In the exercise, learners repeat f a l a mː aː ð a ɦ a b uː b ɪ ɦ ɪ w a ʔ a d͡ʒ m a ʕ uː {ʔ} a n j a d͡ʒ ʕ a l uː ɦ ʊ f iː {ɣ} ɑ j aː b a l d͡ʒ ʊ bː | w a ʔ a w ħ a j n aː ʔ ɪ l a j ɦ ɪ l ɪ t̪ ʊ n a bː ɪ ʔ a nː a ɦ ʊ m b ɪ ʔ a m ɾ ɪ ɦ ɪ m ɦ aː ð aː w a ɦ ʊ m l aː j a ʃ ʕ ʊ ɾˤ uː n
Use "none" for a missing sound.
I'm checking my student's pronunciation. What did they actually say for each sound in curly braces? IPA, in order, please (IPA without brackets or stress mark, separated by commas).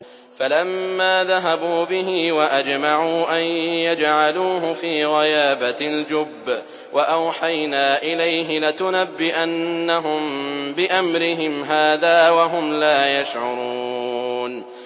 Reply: ʔ, ɣ